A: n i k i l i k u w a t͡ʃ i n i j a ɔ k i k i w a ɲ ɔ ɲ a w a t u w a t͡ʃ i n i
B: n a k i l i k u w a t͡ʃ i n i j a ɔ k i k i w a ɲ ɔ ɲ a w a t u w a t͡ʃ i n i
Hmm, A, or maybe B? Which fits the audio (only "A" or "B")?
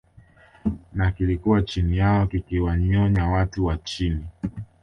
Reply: B